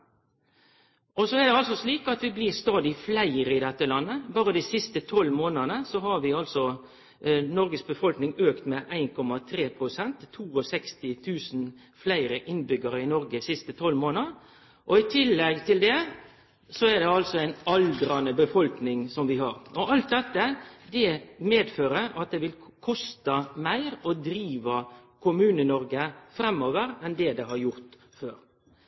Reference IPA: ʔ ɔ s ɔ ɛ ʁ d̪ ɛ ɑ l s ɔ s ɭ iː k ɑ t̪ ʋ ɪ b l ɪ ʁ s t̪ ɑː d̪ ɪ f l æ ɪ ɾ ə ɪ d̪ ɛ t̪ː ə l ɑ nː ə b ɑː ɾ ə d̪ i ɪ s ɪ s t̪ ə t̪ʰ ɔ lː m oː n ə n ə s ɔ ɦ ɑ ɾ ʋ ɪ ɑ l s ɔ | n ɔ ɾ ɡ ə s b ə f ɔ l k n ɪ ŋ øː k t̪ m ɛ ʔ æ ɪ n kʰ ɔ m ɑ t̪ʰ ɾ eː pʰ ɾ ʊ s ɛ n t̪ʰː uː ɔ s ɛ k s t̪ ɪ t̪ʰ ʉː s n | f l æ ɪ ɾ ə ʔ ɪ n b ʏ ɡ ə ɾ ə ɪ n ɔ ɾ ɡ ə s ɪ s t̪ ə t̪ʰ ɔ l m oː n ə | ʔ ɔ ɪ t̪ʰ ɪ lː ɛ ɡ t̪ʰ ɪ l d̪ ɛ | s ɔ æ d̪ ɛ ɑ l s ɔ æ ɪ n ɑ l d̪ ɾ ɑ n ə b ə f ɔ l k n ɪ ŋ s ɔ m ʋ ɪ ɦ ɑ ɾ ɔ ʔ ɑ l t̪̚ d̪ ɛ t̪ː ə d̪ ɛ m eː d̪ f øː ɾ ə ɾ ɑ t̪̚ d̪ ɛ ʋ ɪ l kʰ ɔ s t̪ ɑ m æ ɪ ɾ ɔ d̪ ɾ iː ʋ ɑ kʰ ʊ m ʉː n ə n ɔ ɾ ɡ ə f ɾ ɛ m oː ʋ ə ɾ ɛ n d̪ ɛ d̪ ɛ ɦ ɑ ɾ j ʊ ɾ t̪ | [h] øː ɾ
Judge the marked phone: incorrect: f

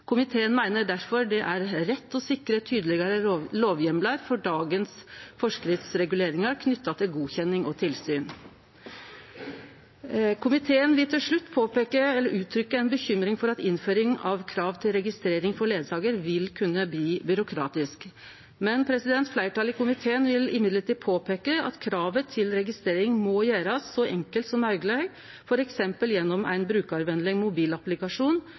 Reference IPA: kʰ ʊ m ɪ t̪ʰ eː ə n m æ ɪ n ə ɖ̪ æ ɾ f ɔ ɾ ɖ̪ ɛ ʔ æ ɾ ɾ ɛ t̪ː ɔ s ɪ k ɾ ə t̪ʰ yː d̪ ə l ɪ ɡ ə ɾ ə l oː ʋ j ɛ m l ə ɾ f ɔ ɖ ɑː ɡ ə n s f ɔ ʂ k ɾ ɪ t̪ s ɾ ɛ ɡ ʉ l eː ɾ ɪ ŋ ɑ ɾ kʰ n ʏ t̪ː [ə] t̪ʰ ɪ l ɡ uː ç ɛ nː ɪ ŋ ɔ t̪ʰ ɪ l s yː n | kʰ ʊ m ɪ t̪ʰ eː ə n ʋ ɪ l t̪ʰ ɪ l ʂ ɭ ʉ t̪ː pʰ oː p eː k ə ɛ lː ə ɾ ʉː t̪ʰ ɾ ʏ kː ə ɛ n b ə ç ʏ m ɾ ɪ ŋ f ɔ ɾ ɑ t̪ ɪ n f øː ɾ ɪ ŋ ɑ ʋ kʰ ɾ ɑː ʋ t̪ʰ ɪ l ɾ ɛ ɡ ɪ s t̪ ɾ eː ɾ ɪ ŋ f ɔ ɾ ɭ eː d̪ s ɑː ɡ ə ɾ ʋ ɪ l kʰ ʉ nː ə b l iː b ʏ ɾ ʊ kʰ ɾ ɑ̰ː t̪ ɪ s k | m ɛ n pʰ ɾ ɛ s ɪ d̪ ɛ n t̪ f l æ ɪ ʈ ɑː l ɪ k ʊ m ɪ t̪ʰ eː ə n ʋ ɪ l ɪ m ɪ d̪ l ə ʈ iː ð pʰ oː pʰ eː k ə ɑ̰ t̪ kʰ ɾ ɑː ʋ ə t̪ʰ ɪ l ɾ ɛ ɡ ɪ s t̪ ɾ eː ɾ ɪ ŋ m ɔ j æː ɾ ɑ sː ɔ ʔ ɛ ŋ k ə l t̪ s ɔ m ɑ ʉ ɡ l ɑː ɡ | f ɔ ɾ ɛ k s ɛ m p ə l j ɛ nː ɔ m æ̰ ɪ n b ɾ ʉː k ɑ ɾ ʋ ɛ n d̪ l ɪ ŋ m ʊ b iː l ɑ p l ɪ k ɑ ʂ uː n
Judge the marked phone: incorrect: ɑ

